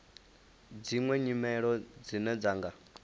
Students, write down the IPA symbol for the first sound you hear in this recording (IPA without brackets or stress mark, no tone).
d͡z